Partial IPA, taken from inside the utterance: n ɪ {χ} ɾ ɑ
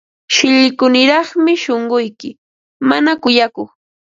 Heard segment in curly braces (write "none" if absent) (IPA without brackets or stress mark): none